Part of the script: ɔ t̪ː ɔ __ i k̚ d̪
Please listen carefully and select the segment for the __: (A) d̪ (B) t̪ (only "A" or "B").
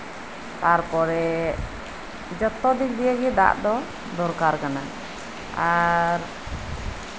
A